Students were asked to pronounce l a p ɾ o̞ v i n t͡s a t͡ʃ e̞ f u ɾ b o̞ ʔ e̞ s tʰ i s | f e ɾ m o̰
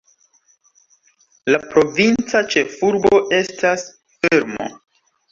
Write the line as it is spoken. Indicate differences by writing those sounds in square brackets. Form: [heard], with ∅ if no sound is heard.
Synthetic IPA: l a p ɾ o̞ v i n t͡s a t͡ʃ e̞ f u ɾ b o̞ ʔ e̞ s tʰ [a] s | f e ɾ m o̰